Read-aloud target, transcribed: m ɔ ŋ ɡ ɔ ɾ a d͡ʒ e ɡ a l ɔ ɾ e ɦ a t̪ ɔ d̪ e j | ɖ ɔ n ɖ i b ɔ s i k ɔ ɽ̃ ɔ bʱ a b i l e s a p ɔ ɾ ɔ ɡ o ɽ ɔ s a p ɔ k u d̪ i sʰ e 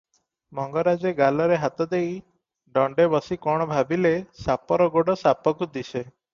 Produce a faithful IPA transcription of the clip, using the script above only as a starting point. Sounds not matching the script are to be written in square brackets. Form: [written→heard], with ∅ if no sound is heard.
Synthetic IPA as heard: m ɔ ŋ ɡ ɔ ɾ a d͡ʒ e ɡ a l ɔ ɾ e ɦ a t̪ ɔ d̪ e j | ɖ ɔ [n→ɳ] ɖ [i→e] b ɔ s i k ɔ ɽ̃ ɔ bʱ a b i l e s a p ɔ ɾ ɔ ɡ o ɽ ɔ s a p ɔ k u d̪ i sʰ e